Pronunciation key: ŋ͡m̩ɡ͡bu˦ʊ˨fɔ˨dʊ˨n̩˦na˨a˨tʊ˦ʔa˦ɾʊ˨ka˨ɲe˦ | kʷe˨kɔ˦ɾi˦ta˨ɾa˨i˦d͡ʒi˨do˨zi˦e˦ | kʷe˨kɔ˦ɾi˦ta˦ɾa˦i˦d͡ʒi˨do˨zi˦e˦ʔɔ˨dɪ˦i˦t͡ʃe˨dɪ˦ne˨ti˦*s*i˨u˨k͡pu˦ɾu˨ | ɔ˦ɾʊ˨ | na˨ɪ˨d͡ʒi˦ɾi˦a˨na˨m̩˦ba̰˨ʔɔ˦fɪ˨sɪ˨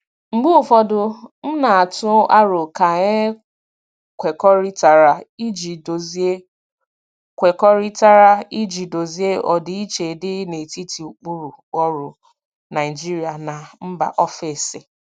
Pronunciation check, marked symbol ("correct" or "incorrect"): incorrect